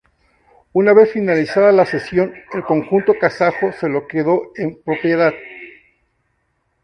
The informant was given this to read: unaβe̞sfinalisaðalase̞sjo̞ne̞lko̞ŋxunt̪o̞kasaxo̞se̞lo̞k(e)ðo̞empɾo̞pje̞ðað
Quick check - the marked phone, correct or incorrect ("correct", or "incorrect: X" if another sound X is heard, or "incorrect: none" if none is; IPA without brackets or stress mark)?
correct